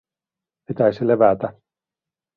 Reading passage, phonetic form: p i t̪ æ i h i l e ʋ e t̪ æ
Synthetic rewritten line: p i t̪ æ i s i l e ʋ æ t̪ æ